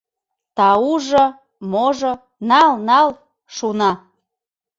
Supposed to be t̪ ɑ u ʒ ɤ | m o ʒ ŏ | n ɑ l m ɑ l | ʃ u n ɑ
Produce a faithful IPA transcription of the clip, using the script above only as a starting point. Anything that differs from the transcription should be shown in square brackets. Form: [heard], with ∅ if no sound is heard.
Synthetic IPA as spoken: t̪ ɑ u ʒ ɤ | m o ʒ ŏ | n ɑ l [n] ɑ l | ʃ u n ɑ